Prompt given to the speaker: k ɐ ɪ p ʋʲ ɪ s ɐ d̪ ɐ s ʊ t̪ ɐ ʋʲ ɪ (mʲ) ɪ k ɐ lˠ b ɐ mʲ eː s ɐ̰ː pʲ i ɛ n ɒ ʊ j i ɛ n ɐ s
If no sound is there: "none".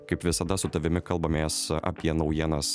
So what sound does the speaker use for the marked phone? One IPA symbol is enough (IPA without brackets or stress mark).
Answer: mʲ